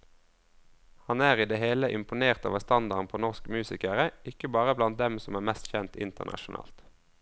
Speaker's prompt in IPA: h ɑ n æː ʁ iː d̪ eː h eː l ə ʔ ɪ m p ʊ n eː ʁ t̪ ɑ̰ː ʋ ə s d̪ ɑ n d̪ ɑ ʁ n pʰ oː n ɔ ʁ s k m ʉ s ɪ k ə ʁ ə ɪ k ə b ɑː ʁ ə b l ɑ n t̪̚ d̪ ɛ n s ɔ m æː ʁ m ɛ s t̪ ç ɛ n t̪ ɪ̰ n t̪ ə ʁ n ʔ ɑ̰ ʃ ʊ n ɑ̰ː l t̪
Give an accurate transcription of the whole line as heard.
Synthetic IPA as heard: h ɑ n æː ʁ iː d̪ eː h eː l ə ʔ ɪ m p ʊ n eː ʁ t̪ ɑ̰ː ʋ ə s t̪ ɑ n d̪ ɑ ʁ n pʰ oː n ɔ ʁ s k m ʉː s ɪ k ə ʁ ə ɪ k ə b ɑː ʁ ə b l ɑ n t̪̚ d̪ ɛ m s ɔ m æː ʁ m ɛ s t̪ ç ɛ n t̪ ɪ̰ n t̪ ə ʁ n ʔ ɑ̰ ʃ ʊ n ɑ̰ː l t̪